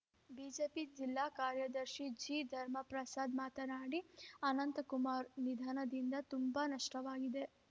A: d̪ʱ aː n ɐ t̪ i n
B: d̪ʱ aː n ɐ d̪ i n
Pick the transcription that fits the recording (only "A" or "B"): B